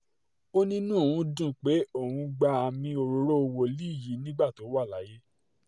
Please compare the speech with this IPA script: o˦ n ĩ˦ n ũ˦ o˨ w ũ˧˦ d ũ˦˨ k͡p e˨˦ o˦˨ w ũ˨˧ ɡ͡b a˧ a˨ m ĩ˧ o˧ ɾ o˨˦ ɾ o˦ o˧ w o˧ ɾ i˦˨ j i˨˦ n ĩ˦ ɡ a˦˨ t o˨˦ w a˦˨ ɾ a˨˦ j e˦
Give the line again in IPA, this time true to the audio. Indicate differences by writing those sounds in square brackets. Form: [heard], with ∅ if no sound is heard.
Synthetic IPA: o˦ n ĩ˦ n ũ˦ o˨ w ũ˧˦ d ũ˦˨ k͡p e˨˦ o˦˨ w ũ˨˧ ɡ͡b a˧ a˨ m ĩ˧ o˧ ɾ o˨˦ ɾ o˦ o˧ w o˧ [l] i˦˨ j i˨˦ n ĩ˦ [ɡ͡b] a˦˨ t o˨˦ w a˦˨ [l] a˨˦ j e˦